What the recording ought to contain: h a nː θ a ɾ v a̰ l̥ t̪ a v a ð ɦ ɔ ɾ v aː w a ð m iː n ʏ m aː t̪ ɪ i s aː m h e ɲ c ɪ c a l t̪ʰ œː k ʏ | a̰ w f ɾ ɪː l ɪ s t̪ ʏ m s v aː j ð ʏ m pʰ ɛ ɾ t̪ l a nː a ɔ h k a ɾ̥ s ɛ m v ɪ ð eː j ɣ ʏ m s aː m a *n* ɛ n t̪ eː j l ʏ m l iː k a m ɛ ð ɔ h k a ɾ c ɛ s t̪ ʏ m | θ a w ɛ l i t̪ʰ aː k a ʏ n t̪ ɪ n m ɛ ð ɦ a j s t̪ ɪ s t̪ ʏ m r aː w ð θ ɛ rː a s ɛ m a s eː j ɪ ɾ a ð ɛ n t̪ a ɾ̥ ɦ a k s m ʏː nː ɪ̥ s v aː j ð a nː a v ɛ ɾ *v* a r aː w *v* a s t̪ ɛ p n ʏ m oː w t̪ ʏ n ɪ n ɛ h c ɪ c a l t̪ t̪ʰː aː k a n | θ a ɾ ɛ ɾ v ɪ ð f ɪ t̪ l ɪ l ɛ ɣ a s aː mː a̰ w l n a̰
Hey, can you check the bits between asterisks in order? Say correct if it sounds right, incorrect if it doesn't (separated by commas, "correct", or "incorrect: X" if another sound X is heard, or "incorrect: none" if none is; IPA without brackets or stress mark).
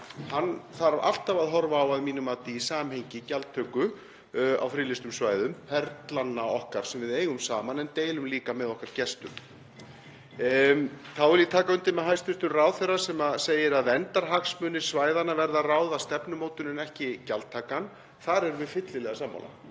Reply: correct, incorrect: ð, incorrect: ð